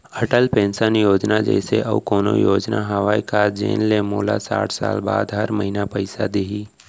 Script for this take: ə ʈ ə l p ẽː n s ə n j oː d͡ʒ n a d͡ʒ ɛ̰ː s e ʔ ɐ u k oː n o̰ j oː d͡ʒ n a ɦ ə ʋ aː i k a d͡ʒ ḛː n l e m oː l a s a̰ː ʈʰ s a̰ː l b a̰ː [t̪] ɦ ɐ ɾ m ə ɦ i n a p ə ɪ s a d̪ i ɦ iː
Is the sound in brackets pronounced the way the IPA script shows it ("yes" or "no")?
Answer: no